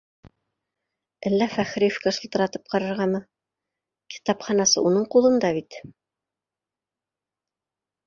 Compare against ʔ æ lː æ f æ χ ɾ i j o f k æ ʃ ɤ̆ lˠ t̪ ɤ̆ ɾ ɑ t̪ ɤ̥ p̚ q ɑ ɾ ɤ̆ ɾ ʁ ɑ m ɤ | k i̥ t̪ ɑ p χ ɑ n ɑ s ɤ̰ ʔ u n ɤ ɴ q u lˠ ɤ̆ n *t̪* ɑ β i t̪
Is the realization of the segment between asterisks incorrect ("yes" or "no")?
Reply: yes